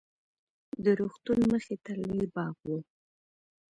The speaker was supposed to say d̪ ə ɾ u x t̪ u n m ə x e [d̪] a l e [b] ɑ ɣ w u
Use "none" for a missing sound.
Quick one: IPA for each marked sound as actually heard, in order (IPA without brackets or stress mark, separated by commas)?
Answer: t̪, b